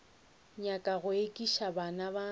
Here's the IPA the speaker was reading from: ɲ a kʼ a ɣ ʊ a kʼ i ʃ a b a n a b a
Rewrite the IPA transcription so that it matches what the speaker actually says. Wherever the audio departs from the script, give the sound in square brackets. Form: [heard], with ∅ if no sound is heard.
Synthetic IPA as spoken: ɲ a kʼ a ɣ ʊ [e] kʼ i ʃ a b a n a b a